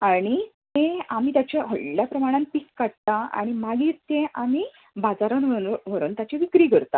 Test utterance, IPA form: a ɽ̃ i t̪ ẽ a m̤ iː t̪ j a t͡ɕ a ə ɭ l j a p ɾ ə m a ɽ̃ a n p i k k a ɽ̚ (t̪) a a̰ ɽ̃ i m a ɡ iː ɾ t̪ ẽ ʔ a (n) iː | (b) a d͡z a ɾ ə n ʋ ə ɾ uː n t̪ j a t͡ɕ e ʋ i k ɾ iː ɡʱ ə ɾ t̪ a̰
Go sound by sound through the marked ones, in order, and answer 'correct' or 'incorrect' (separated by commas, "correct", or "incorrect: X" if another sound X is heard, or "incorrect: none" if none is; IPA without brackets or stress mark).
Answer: correct, incorrect: m, correct